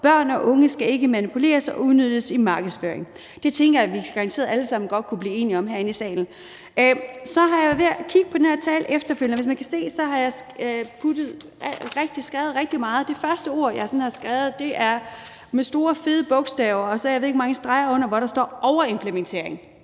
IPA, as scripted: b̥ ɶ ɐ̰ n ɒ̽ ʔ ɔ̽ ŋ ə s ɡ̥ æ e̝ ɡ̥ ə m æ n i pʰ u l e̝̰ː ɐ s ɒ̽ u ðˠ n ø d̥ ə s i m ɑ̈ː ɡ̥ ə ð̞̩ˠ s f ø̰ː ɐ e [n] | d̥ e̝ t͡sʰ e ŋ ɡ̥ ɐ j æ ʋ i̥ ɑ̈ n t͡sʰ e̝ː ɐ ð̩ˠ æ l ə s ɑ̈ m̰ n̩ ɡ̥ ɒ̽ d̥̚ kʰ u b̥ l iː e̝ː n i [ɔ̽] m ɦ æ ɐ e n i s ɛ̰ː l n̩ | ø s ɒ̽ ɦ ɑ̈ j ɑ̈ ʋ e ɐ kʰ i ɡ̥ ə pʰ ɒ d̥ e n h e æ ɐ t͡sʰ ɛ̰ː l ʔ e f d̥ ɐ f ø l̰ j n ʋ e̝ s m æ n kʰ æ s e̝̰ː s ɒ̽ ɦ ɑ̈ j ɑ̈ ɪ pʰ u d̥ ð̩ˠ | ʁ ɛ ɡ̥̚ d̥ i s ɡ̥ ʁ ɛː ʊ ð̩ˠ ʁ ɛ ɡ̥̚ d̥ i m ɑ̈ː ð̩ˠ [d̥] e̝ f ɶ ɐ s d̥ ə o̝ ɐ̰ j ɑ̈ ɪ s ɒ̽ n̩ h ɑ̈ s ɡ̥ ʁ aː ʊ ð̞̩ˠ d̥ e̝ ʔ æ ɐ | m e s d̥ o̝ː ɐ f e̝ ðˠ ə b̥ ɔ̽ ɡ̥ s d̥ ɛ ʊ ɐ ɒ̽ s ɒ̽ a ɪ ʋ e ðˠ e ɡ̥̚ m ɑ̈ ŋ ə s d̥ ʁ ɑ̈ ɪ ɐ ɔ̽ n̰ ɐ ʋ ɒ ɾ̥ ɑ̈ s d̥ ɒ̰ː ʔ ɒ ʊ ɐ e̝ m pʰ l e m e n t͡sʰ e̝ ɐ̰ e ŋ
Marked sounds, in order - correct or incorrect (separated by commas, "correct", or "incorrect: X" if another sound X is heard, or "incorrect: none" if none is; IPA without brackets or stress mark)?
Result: incorrect: ŋ, incorrect: ɒ̽, correct